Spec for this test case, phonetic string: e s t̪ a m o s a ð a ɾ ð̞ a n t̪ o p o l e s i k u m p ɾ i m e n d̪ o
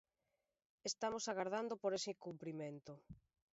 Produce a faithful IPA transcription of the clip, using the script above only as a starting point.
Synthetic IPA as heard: e s t̪ a m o s a ɣ a ɾ ð̞ a n d̪ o p o ɾ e s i k u m p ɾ i m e n t̪ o